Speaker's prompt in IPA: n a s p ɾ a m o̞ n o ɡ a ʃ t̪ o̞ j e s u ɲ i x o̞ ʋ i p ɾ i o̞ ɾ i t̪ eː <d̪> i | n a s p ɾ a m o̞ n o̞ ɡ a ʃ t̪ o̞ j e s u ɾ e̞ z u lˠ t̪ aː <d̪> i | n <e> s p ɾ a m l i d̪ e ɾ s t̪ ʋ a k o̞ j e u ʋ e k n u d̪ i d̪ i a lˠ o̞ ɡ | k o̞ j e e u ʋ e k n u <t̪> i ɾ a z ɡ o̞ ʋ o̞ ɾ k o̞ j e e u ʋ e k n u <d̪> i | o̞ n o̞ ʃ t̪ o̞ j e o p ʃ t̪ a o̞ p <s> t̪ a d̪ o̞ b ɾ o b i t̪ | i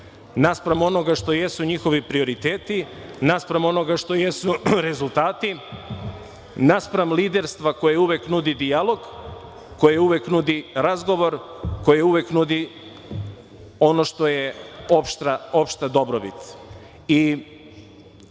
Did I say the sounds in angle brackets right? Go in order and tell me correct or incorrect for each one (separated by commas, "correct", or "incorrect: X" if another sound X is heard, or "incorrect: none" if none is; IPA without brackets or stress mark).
incorrect: t̪, incorrect: t̪, incorrect: a, incorrect: d̪, correct, incorrect: ʃ